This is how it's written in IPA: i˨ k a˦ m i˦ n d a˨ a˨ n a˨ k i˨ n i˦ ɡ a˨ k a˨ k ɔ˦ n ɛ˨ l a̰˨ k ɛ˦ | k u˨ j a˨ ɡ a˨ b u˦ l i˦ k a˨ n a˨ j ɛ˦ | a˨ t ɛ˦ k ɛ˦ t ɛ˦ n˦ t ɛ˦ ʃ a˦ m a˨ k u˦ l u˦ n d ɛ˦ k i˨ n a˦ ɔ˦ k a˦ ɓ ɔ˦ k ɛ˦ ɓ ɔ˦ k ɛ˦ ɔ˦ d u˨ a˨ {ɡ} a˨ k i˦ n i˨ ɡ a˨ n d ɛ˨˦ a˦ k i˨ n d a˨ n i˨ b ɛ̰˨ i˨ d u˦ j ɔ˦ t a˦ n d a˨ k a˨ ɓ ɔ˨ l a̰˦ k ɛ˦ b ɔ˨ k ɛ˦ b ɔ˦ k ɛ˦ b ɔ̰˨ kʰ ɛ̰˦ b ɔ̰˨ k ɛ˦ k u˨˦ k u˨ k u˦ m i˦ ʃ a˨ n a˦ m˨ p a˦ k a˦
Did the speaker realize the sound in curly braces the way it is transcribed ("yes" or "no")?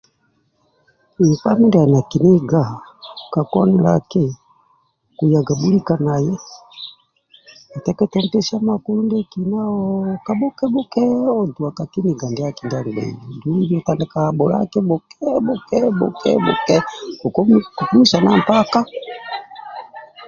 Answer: no